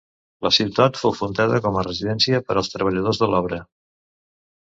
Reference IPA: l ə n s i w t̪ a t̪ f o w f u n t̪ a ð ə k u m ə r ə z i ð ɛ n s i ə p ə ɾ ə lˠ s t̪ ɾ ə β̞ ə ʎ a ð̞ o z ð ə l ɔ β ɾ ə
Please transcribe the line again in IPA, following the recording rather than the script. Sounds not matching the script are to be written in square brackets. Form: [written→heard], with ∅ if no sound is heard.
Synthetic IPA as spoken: l ə [n→∅] s i w t̪ a t̪ f o w f u n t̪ a ð ə k [u→ɔ] m ə r ə z i ð ɛ n s i ə p ə ɾ ə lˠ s t̪ ɾ ə β̞ ə ʎ [a→ə] ð̞ o z ð ə l ɔ β ɾ ə